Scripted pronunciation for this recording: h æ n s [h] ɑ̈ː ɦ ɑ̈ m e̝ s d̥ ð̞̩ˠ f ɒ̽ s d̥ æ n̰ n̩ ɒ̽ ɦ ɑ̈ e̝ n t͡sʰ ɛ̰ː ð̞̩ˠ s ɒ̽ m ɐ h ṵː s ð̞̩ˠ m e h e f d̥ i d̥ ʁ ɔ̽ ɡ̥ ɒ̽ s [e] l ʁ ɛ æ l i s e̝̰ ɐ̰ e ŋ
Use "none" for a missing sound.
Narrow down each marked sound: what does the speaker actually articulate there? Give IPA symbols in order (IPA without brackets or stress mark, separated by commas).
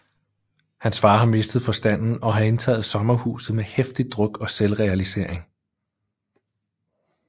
f, e